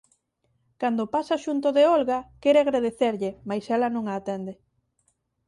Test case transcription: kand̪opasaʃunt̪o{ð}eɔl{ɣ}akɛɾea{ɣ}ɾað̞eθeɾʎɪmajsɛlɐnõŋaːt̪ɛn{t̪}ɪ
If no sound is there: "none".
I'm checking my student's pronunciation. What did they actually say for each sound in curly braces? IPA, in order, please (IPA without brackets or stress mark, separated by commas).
ð, ɣ, ɣ, d̪